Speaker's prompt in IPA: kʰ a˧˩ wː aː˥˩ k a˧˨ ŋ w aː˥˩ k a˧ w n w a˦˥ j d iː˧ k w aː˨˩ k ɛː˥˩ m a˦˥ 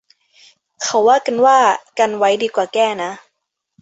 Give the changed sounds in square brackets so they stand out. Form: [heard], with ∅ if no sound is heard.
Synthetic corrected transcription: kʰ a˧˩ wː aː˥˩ k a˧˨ [n] w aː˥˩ k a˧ [∅] n w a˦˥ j d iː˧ k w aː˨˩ k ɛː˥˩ [n] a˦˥